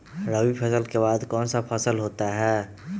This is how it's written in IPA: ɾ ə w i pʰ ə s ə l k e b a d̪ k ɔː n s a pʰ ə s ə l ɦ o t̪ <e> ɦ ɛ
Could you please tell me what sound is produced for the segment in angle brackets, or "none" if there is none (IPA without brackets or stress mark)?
a